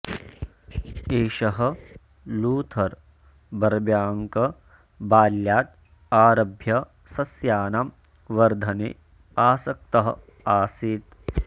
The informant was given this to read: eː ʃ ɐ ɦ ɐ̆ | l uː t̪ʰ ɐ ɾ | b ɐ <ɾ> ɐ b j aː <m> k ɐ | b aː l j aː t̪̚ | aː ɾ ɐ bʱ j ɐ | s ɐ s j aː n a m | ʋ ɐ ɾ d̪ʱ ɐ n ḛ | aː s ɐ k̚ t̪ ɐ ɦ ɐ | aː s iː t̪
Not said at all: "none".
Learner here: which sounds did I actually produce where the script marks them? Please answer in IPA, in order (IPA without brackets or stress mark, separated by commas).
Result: ɾ, ŋ